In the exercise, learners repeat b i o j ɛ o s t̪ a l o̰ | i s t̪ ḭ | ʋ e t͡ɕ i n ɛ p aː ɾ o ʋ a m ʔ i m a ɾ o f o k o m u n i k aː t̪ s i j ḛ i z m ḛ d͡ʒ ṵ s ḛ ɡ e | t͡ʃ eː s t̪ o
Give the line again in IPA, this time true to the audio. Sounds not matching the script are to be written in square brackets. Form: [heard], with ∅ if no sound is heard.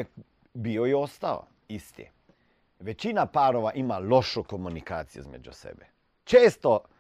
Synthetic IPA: b i o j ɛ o s t̪ a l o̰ | i s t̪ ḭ | ʋ e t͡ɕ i n [a] p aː ɾ o ʋ a [∅] ʔ i m a [l] o [ʃ] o k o m u n i k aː t̪ s i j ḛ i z m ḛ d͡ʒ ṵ s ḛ [b] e | t͡ʃ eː s t̪ o